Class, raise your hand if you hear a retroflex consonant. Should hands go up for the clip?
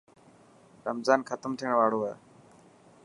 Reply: yes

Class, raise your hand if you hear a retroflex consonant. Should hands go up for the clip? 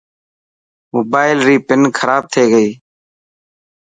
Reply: no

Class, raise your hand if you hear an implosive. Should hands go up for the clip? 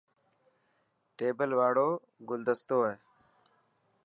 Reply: no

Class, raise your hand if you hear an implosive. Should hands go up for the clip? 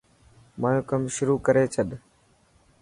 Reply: yes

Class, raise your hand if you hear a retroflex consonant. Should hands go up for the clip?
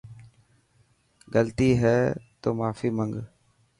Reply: no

